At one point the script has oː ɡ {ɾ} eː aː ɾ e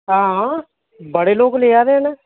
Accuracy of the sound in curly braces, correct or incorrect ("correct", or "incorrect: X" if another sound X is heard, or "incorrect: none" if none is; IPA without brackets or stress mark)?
incorrect: l